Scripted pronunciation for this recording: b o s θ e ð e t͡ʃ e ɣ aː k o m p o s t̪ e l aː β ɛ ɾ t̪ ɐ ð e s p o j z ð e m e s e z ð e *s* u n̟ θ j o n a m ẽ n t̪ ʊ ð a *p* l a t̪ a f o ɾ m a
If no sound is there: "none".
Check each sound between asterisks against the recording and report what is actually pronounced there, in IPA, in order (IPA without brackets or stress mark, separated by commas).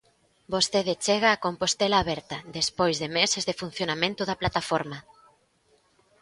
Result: f, p